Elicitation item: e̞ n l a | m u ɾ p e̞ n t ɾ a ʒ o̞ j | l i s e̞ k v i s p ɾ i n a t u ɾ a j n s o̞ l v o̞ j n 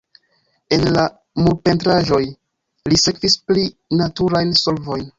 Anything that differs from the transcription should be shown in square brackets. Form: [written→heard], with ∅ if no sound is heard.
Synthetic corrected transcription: e̞ n l a | m u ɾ p e̞ n t ɾ a ʒ o̞ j | l i s e̞ k v i s p [ɾ→l] i n a t u ɾ a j n s o̞ l v o̞ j n

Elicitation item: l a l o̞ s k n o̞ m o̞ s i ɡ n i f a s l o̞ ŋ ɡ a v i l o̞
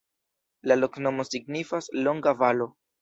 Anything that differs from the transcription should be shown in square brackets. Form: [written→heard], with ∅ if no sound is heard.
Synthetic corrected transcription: l a l o̞ [s→∅] k n o̞ m o̞ s i ɡ n i f a s l o̞ ŋ ɡ a v [i→a] l o̞

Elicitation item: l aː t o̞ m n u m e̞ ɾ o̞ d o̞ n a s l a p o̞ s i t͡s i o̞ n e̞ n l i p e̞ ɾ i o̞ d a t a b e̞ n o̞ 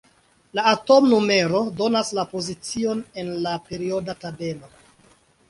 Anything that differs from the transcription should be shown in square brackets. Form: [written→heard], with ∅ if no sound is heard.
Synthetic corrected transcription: l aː t o̞ m n u m e̞ ɾ o̞ d o̞ n a s l a p o̞ [s→z] i t͡s i o̞ n e̞ n l [i→a] p e̞ ɾ i o̞ d a t a b e̞ n o̞

